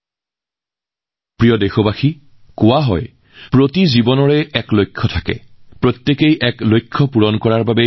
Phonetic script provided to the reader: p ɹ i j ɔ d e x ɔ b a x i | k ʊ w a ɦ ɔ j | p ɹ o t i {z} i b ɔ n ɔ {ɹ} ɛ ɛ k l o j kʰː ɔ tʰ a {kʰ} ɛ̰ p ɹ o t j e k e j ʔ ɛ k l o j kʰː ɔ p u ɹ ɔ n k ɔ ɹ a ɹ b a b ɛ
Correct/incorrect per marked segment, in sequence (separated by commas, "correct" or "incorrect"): correct, correct, incorrect